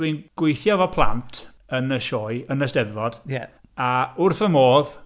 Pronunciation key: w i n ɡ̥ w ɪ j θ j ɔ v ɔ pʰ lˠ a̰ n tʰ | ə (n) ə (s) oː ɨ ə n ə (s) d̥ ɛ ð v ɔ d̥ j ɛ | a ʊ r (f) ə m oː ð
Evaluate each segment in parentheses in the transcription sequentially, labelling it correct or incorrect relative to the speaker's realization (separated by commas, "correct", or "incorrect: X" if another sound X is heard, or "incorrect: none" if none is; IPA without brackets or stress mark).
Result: correct, incorrect: ʃ, correct, incorrect: θ